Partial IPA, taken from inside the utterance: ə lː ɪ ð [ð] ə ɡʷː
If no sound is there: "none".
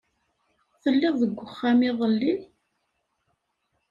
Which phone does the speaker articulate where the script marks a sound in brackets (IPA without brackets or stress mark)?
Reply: ð